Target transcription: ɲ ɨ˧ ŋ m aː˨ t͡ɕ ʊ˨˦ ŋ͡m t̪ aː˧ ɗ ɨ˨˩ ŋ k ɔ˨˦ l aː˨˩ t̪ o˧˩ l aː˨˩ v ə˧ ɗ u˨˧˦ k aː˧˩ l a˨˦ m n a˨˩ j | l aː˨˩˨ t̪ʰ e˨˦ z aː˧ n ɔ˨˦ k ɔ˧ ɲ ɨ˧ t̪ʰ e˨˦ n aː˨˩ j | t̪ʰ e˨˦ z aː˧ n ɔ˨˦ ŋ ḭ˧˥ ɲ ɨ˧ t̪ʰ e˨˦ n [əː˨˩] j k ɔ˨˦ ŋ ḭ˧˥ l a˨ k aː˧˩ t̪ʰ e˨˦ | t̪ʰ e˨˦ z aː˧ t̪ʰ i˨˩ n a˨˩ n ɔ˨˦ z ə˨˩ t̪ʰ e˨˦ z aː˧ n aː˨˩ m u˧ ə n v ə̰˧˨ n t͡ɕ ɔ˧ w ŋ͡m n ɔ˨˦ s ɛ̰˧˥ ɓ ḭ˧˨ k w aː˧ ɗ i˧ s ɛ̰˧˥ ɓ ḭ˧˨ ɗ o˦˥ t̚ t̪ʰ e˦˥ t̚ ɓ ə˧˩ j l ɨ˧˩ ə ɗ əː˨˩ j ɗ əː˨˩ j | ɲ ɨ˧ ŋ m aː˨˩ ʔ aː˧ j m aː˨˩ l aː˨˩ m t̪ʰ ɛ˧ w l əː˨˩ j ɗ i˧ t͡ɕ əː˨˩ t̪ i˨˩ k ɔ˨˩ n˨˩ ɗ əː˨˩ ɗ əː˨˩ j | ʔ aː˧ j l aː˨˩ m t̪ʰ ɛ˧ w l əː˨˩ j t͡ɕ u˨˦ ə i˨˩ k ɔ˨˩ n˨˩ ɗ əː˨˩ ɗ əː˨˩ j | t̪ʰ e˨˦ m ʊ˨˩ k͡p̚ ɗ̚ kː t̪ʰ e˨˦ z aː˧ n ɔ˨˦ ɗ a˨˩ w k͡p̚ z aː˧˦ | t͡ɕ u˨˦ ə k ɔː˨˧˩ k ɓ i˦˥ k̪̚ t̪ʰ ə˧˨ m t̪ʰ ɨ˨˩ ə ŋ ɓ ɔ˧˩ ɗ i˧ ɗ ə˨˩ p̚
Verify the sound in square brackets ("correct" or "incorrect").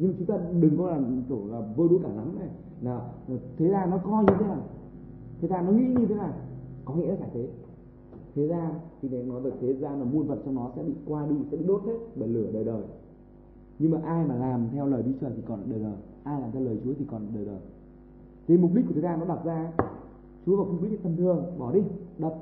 incorrect